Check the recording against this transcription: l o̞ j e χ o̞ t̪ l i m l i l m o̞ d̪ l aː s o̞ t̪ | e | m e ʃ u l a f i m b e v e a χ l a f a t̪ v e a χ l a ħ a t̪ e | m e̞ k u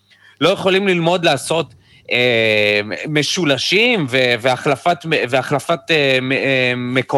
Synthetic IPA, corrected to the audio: l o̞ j e χ o̞ l i m l i l m o̞ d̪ l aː s o̞ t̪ | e | m e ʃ u l a ʃ i m v e v e a χ l a f a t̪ v e a χ l a f a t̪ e | m e̞ k o